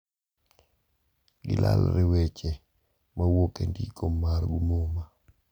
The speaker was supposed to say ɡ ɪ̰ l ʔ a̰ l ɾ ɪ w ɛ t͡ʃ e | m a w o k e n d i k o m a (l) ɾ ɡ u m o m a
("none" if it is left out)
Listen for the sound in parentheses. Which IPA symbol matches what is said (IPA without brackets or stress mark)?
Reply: none